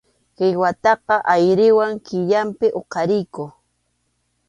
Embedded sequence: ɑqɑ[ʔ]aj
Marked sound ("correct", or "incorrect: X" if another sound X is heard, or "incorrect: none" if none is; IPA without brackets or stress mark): correct